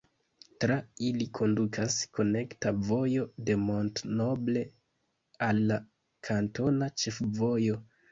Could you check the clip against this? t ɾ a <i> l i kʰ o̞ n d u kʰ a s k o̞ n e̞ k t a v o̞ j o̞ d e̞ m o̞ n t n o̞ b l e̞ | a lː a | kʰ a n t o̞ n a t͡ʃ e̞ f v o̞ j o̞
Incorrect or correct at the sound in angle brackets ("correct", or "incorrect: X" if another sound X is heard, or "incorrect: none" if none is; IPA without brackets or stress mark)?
correct